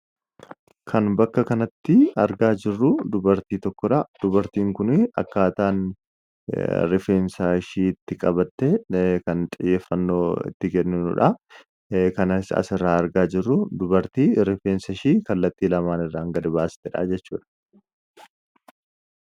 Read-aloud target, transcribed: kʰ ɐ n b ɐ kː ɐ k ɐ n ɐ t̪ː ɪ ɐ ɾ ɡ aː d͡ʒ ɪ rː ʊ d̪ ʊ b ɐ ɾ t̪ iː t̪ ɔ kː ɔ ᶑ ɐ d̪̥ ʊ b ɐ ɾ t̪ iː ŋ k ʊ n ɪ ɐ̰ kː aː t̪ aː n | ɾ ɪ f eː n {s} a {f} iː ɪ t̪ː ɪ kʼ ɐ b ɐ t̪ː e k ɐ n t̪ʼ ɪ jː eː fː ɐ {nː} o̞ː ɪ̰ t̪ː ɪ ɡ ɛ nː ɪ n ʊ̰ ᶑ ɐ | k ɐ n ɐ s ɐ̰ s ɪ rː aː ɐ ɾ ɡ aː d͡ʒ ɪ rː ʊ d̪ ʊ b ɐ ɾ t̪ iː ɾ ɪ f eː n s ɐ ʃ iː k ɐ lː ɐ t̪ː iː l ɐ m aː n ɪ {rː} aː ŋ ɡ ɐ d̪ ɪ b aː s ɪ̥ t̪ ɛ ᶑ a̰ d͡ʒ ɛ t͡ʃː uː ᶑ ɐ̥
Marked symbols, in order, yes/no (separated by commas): yes, no, yes, yes